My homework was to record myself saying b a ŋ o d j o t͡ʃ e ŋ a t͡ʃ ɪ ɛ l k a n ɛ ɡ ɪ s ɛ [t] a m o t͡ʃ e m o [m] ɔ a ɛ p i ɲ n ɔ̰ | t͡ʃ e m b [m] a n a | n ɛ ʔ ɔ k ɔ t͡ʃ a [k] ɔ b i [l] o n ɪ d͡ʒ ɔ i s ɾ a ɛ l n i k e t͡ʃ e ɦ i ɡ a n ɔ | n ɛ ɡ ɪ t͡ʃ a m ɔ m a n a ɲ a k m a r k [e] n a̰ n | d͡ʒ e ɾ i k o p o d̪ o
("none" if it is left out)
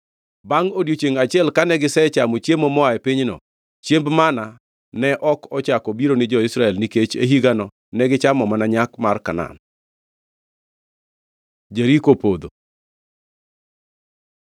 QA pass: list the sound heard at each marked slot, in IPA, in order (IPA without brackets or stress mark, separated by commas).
t͡ʃ, m, m, k, ɾ, a